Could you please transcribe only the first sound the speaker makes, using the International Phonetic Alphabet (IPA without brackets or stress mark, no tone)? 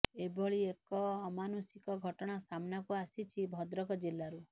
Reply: e